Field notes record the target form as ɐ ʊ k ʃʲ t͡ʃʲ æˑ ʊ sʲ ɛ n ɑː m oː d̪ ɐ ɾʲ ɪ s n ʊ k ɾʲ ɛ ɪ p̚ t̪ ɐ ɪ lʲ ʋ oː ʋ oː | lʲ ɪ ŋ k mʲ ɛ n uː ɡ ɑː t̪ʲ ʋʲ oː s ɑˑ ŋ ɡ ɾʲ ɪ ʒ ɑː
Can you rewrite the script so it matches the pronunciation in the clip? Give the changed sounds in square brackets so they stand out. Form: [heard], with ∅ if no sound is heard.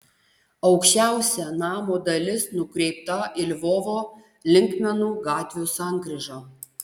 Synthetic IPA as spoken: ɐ ʊ k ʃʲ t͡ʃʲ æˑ ʊ sʲ ɛ n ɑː m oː d̪ ɐ [lʲ] ɪ s n ʊ k ɾʲ ɛ ɪ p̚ t̪ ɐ ɪ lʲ ʋ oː ʋ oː | lʲ ɪ ŋ k mʲ ɛ n uː ɡ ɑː t̪ʲ ʋʲ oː s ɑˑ ŋ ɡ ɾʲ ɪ ʒ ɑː